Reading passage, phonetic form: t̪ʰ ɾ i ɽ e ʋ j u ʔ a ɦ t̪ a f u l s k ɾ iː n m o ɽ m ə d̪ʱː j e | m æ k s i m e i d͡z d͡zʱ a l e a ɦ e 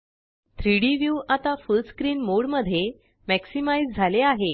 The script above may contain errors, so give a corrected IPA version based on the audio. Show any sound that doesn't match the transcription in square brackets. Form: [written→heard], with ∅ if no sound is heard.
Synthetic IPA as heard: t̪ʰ ɾ i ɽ [e→i] ʋ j u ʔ a [ɦ→∅] t̪ a f u l s k ɾ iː n m o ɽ m ə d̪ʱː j e | m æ k s i m [e→a] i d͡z d͡zʱ a l e a ɦ e